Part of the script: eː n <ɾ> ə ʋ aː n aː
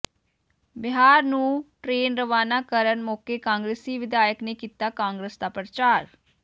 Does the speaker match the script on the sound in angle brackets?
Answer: yes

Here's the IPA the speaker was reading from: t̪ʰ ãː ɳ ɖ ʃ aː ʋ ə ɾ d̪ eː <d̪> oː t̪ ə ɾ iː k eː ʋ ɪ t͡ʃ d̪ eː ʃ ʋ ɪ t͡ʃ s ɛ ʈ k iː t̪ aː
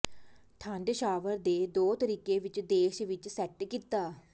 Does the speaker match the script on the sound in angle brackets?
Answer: yes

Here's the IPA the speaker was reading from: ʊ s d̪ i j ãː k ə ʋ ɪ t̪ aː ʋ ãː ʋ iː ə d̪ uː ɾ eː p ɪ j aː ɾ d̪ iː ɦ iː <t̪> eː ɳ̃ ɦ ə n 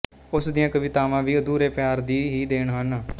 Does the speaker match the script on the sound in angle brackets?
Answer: no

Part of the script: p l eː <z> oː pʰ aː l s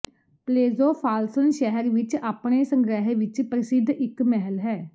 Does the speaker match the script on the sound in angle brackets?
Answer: yes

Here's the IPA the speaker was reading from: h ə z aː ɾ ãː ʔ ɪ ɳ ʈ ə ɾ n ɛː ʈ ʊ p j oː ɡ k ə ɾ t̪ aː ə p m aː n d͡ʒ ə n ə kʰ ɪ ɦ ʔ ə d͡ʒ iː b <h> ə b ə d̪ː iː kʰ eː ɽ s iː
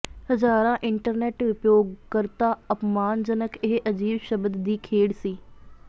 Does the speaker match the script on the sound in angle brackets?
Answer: no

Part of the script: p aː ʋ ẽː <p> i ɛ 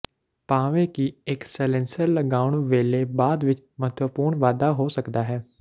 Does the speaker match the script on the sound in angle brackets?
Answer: no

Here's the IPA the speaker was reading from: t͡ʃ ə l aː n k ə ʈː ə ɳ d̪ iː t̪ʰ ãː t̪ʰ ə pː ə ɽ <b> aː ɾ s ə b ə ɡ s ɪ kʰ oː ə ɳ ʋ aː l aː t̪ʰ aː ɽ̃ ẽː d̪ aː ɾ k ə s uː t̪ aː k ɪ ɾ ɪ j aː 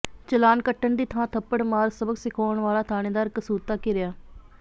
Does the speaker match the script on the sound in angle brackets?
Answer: no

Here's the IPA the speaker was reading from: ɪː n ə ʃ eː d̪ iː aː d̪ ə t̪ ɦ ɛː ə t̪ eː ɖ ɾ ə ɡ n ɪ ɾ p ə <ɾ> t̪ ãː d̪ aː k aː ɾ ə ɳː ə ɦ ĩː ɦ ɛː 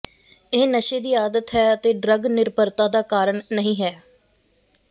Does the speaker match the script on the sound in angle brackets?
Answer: yes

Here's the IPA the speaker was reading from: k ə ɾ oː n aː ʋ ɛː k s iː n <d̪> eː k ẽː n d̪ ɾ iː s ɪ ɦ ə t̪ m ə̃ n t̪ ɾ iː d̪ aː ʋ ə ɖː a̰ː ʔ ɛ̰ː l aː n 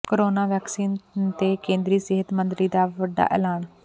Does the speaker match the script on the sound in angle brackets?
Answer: no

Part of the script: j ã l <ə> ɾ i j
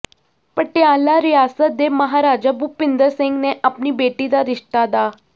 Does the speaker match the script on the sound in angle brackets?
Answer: no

